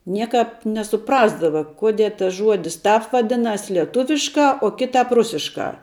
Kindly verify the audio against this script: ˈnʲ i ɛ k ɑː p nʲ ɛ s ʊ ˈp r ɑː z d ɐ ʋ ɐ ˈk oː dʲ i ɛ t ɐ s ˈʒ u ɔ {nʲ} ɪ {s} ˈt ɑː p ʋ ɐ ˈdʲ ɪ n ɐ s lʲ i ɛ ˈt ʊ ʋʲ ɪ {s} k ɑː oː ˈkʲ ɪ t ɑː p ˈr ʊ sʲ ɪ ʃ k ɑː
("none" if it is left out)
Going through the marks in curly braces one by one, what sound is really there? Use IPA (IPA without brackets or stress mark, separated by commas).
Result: dʲ, s, ʃ